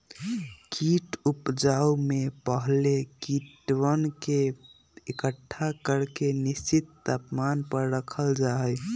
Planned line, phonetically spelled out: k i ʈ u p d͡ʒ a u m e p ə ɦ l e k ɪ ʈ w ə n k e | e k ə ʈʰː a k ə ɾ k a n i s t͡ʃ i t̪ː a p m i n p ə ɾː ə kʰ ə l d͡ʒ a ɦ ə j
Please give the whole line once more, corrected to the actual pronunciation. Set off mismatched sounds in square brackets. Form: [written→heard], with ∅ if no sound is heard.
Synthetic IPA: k i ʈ u p d͡ʒ a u m e p ə ɦ l e k [ɪ→i] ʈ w ə n k e | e k ə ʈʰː a k ə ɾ k [a→e] n i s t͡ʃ i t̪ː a p m [i→a] n p ə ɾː ə kʰ ə l d͡ʒ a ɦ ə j

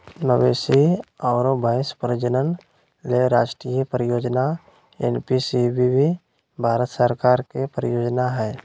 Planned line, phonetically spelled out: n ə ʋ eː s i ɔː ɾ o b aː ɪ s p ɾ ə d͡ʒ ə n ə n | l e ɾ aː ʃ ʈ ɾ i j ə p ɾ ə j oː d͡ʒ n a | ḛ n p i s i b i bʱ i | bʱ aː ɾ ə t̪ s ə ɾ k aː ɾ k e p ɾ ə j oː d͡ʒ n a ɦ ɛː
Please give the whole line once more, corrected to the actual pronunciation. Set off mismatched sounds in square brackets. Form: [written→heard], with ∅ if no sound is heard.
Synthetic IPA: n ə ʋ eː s i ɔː ɾ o b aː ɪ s p ɾ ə d͡ʒ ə n ə n | l e ɾ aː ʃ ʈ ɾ i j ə p ɾ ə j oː d͡ʒ n a | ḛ n p i s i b i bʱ i | bʱ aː ɾ ə t̪ s ə ɾ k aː ɾ k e p ɾ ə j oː d͡ʒ n a ɦ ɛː

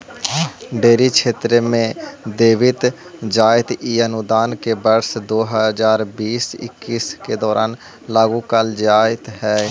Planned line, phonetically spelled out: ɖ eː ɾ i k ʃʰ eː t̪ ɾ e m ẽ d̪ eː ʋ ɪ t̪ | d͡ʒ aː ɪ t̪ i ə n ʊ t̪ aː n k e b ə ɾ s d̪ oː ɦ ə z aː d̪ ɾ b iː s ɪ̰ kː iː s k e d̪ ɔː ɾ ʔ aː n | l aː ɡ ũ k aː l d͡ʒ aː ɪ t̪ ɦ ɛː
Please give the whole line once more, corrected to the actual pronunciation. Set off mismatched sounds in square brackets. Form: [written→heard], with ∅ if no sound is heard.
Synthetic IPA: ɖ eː ɾ i k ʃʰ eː t̪ ɾ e m ẽ d̪ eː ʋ ɪ t̪ | d͡ʒ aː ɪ t̪ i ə n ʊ [t̪→d̪] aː n k e b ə ɾ s d̪ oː ɦ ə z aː [d̪→∅] ɾ b iː s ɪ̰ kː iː s k e d̪ ɔː ɾ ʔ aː n | l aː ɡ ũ k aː l d͡ʒ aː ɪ t̪ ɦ ɛː

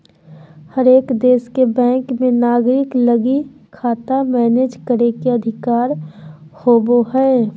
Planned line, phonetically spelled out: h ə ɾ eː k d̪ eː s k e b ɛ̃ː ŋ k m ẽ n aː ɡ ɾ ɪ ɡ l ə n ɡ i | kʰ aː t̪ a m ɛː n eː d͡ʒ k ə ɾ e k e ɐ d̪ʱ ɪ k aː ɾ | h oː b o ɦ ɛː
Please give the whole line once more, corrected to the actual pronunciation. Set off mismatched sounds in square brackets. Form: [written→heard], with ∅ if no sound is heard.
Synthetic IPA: h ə ɾ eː k d̪ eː s k e b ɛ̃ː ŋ k m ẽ n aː ɡ ɾ ɪ [ɡ→k] l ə [n→∅] ɡ i | kʰ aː t̪ a m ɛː n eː d͡ʒ k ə ɾ e k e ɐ d̪ʱ ɪ k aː ɾ | h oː b o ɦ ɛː

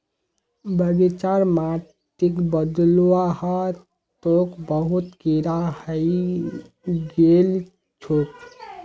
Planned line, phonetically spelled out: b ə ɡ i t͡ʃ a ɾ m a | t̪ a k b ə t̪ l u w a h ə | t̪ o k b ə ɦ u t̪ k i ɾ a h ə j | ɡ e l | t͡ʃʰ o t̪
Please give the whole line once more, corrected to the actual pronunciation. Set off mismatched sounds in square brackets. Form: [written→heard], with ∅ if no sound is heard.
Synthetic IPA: b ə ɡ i t͡ʃ a ɾ m a | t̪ [a→i] k b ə [t̪→d̪] l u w a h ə | t̪ o k b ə ɦ u t̪ k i ɾ a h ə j | ɡ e l | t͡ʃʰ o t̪

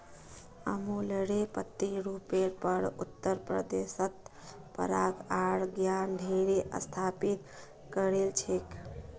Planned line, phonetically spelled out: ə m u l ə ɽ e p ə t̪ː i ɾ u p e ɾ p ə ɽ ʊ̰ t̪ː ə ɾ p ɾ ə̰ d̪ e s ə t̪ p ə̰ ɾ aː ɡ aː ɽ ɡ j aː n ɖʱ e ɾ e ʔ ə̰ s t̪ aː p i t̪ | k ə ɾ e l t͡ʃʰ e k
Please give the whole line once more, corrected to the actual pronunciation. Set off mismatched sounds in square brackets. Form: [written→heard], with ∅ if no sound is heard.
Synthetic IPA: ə m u l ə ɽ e p ə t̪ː i ɾ u p e ɾ p ə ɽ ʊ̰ t̪ː ə ɾ p ɾ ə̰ d̪ e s ə t̪ p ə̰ ɾ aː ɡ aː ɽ ɡ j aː n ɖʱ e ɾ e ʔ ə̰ s [t̪→t̪ʰ] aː p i t̪ | k ə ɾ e l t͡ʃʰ e k

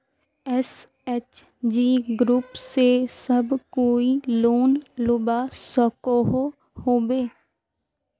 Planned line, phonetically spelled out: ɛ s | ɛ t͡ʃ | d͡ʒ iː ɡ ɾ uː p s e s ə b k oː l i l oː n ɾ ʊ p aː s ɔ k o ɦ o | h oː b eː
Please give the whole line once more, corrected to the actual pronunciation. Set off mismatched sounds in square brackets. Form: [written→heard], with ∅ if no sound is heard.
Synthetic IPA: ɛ s | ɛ t͡ʃ | d͡ʒ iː ɡ ɾ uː p s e s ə b k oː [l→∅] i l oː n [ɾ→l] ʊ [p→b] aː s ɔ k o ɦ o | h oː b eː

